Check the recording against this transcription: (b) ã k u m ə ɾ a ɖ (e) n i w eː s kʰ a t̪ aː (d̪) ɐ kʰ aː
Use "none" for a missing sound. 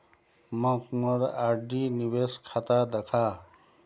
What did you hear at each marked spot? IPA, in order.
m, i, d̪

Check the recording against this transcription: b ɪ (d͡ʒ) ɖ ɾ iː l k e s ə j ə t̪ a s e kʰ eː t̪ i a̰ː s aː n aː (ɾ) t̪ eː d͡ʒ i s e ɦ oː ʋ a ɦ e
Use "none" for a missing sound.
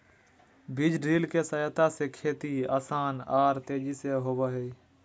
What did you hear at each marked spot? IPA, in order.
d͡ʒ, ɾ

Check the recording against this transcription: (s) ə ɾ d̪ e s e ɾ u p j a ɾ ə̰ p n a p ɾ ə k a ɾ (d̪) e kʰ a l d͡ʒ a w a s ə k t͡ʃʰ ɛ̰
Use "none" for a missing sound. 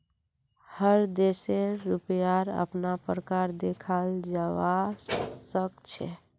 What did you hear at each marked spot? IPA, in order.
h, d̪

